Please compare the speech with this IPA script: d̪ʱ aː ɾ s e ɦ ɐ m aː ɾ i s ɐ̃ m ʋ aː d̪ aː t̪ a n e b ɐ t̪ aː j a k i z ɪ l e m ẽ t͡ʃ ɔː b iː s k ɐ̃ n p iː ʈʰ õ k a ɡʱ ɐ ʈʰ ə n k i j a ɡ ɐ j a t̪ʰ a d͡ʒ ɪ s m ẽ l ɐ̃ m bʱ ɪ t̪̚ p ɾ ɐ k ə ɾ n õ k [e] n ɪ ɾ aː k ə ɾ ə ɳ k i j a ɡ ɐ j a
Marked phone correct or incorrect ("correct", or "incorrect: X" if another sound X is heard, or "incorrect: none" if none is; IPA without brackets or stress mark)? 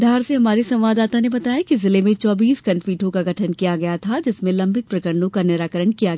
incorrect: a